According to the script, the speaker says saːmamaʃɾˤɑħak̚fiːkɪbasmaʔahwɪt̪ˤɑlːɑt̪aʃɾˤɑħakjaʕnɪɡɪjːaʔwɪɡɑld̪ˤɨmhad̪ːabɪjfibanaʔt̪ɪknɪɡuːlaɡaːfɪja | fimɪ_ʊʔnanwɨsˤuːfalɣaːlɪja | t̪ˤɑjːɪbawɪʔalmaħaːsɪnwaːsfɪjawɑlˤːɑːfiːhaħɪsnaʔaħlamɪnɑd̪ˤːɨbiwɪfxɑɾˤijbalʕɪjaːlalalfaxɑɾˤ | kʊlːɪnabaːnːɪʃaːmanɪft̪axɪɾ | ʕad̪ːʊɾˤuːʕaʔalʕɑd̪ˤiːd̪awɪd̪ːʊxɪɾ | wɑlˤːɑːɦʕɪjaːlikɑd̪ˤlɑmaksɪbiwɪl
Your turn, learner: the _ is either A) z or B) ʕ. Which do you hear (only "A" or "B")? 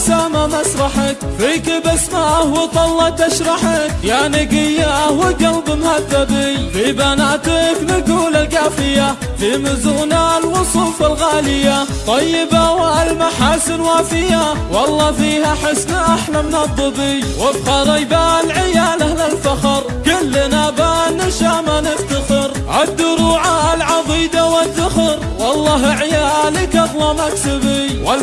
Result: A